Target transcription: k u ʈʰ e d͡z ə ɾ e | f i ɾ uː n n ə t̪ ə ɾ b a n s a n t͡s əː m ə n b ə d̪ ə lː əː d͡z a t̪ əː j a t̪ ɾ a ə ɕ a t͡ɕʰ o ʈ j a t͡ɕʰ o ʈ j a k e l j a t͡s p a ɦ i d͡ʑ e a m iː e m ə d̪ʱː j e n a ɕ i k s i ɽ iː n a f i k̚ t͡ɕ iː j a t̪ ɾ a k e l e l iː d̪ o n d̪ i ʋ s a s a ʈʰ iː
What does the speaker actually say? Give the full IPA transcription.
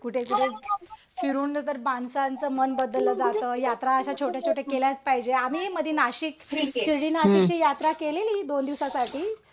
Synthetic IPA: k u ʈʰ e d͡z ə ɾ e | f i ɾ uː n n ə t̪ ə ɾ b a n s a n t͡s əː m ə n b ə d̪ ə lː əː d͡z a t̪ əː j a t̪ ɾ a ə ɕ a t͡ɕʰ o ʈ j a t͡ɕʰ o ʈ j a k e l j a t͡s p a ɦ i d͡ʑ e a m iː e m ə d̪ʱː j e n a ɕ i k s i ɽ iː n a ɕ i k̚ t͡ɕ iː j a t̪ ɾ a k e l e l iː d̪ o n d̪ i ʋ s a s a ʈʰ iː